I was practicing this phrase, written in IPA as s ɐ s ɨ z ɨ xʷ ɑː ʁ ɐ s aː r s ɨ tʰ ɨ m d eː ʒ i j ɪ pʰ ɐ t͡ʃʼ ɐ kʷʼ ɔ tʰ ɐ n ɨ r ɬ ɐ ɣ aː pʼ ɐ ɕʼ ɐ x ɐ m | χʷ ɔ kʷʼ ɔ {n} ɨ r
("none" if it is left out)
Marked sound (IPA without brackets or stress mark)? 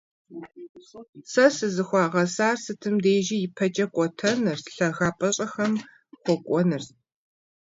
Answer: n